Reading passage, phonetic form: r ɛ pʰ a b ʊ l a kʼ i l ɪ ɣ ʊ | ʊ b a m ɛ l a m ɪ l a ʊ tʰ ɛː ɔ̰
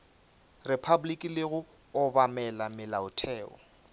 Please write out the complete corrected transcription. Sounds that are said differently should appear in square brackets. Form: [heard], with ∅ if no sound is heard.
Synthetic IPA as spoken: r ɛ pʰ a b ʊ l [i] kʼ i l ɪ ɣ ʊ | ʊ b a m ɛ l a m ɪ l a ʊ tʰ ɛː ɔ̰